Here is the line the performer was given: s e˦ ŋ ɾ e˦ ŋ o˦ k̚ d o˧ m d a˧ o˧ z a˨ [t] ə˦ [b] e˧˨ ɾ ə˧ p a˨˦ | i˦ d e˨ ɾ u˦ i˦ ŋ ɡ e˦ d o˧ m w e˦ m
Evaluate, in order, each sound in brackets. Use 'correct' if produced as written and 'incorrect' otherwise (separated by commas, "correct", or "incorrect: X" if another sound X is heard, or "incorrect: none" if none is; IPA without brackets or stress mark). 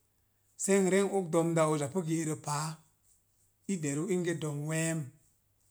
incorrect: p, incorrect: ɡ